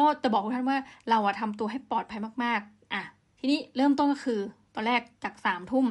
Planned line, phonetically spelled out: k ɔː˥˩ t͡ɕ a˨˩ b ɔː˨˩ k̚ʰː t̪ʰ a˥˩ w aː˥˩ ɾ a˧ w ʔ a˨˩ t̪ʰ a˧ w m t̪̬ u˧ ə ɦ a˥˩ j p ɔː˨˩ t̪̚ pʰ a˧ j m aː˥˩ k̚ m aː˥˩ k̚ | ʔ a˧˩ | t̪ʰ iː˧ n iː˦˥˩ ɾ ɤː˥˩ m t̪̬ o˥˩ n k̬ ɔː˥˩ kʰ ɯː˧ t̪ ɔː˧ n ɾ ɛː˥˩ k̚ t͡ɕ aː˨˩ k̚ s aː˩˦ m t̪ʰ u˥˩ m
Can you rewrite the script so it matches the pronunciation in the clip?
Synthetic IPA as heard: k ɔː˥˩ t͡ɕ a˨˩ b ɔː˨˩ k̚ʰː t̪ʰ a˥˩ w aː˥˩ ɾ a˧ w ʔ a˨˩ t̪ʰ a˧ m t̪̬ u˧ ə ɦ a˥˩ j p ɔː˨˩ t̪̚ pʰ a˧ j m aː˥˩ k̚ m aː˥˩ k̚ | ʔ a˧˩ | t̪ʰ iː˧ n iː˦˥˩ ɾ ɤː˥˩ m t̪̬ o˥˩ n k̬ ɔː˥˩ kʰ ɯː˧ t̪ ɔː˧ n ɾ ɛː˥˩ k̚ t͡ɕ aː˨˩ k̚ s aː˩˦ m t̪ʰ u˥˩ m